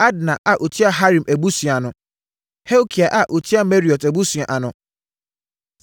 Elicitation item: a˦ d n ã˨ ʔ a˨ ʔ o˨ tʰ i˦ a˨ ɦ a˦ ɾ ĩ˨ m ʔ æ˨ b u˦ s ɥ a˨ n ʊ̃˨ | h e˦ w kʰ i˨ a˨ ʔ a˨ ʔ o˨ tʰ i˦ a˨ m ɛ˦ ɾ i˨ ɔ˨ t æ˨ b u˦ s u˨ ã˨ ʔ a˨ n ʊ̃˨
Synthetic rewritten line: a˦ d n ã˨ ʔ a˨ ʔ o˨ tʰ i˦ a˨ ɦ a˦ ɾ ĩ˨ m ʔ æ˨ b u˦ s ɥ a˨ n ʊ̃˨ | h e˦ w kʰ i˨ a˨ ʔ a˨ ʔ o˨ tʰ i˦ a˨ m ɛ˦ ɾ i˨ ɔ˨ t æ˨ b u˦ s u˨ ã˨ ʔ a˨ n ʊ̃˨